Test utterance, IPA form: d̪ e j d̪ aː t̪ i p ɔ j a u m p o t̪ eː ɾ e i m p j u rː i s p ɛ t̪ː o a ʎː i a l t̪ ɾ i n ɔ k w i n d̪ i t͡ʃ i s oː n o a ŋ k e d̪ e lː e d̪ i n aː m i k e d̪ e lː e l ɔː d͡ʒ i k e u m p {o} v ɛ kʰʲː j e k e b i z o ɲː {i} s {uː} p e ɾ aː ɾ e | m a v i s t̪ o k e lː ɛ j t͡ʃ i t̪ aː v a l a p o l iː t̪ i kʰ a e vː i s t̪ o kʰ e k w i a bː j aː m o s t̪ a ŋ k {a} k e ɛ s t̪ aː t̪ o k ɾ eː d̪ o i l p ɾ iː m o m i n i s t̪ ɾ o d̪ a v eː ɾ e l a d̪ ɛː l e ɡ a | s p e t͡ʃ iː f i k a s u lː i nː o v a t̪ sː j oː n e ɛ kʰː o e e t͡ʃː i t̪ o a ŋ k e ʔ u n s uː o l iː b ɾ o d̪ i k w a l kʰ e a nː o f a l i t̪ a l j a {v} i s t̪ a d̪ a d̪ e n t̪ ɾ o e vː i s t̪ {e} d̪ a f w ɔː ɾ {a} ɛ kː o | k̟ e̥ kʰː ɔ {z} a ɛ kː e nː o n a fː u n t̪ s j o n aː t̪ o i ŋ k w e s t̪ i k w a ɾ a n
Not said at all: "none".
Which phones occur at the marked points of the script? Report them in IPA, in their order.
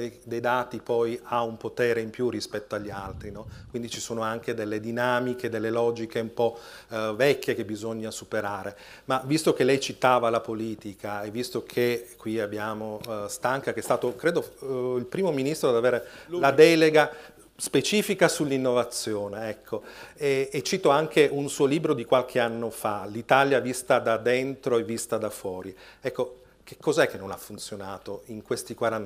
ɔ, a, u, a, v, a, i, z

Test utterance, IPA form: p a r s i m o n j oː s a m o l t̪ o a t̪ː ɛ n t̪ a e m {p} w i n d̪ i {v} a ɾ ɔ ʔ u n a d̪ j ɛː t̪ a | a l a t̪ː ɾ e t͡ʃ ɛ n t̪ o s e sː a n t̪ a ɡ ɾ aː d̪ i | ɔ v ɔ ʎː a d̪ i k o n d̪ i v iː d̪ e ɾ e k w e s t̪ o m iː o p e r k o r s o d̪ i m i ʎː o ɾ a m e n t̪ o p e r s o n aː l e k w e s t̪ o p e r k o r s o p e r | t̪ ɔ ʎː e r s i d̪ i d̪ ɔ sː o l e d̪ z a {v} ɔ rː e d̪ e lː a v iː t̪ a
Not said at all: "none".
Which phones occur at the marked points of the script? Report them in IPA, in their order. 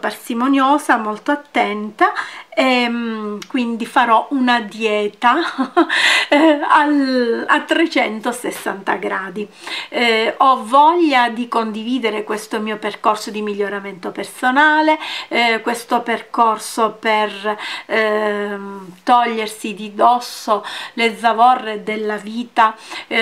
k, f, v

